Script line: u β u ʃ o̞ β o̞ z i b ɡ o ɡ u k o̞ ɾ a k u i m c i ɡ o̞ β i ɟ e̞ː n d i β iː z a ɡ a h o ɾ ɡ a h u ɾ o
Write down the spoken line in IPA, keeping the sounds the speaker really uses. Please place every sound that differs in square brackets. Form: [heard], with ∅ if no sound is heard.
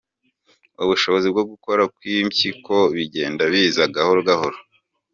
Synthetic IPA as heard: u β u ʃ o̞ β o̞ z i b ɡ o ɡ u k o̞ ɾ a k [w] i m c i [k] o̞ β i ɟ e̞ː n d [a] β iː z a ɡ a h o ɾ ɡ a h [o] ɾ o

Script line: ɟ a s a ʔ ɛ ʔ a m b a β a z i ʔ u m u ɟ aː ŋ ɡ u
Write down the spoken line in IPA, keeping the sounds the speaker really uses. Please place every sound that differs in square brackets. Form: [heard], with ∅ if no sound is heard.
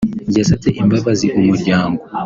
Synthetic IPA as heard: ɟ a s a [t] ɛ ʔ [i] m b a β a z i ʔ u m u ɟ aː ŋ ɡ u

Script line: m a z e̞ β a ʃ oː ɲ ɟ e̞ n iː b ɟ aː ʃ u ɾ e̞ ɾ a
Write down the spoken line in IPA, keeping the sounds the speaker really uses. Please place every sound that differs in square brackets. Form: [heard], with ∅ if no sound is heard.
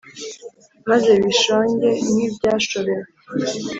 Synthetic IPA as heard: m a z e̞ β [i] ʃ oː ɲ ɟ e̞ n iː b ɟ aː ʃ [o] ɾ e̞ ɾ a

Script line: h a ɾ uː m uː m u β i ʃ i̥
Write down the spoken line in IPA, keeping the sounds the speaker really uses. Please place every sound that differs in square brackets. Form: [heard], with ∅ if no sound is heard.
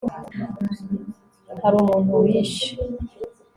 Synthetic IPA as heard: h a ɾ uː m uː [n] u [w] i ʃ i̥

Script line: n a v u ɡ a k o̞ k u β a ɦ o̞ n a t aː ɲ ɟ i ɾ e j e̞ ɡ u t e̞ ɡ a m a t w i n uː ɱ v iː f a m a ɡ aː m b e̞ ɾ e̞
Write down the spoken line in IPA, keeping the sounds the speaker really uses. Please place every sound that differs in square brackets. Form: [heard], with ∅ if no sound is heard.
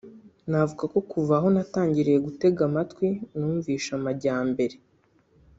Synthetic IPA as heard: n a v u ɡ a k o̞ k u [v] a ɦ o̞ n a t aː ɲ ɟ i ɾ e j e̞ ɡ u t e̞ ɡ a m a t w i n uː ɱ v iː [ʃ] a m a [ɟ] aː m b e̞ ɾ e̞

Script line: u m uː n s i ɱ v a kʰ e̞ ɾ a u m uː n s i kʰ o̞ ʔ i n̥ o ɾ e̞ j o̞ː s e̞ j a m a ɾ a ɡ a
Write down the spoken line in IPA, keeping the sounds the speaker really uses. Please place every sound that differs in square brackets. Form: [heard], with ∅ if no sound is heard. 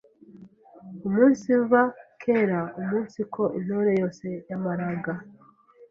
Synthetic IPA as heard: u m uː n s i ɱ v a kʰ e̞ ɾ a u m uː n s i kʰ o̞ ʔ i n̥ o ɾ e̞ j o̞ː s e̞ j a m a ɾ a ɡ a

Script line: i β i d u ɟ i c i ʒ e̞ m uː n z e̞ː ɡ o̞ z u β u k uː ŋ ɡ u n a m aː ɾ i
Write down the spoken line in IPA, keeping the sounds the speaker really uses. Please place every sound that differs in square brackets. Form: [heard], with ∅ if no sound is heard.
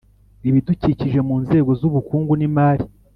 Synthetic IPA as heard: i β i d u [c] i c i ʒ e̞ m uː n z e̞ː ɡ o̞ z u β u k uː ŋ ɡ u n [i] m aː ɾ i

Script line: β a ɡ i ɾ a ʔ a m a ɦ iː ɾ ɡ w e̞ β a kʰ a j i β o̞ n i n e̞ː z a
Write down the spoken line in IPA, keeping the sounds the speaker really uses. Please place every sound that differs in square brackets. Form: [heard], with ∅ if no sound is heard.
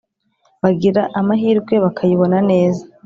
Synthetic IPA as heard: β a ɡ i ɾ a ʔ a m a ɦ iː ɾ ɡ w e̞ β a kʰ a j i β o̞ n [a] n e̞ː z a

